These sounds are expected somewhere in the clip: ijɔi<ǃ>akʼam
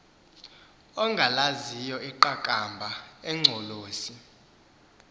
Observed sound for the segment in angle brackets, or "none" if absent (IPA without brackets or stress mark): ǃ